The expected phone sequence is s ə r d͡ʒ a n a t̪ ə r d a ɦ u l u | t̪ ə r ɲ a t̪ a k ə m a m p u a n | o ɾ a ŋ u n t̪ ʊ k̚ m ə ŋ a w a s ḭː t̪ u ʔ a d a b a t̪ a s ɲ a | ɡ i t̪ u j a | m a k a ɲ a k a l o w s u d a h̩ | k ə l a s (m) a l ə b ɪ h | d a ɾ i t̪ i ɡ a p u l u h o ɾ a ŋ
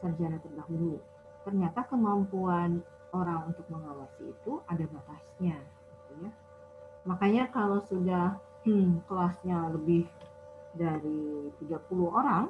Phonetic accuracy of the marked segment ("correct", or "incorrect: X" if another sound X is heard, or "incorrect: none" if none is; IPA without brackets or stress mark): incorrect: ɲ